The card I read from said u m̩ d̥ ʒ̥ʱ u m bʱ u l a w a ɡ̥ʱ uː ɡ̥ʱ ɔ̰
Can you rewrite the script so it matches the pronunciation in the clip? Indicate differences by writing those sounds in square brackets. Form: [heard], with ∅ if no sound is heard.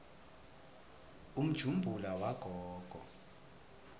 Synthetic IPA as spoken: u m̩ d̥ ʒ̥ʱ u m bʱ u l a w a ɡ̥ʱ [ɔː] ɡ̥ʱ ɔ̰